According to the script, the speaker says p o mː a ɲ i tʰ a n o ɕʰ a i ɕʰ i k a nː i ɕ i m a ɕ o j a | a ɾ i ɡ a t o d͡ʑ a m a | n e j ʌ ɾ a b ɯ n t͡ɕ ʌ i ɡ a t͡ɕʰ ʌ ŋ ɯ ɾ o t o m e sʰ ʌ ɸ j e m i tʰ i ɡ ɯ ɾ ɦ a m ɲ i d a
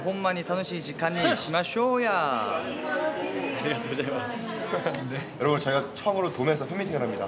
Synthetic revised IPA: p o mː a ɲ i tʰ a n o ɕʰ i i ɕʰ i k a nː i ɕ i m a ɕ o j a | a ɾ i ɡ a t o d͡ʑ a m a | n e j ʌ ɾ ʌ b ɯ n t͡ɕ ʌ i ɡ a t͡ɕʰ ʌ ŋ ɯ ɾ o t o m e sʰ ʌ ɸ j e m i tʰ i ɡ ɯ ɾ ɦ a m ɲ i d a